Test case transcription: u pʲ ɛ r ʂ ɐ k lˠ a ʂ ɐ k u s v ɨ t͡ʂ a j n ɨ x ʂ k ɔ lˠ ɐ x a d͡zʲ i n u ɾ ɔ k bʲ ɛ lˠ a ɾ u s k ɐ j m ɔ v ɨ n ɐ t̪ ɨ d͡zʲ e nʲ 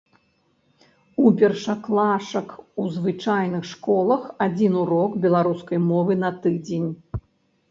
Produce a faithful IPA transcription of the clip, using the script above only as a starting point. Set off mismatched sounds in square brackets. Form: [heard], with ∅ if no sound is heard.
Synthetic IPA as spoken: u pʲ ɛ r ʂ ɐ k lˠ a ʂ ɐ k u [z] v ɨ t͡ʂ a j n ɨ x ʂ k ɔ lˠ ɐ x a d͡zʲ i n u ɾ ɔ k bʲ ɛ lˠ a ɾ u s k ɐ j m ɔ v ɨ n ɐ t̪ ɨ d͡zʲ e nʲ